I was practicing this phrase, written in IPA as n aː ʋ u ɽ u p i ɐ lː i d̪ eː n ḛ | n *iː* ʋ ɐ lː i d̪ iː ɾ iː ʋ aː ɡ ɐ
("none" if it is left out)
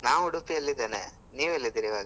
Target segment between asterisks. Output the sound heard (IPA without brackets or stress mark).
iː